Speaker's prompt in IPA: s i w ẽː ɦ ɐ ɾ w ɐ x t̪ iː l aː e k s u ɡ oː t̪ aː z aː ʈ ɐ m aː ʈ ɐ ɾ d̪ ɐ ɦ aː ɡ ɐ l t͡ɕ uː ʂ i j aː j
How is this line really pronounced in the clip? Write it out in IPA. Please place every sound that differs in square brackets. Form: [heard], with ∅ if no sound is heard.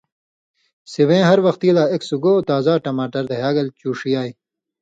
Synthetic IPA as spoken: s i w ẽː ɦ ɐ ɾ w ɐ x t̪ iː l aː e k s u ɡ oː t̪ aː z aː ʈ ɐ m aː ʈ ɐ ɾ d̪ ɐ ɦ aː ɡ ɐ l t͡ɕ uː ʂ i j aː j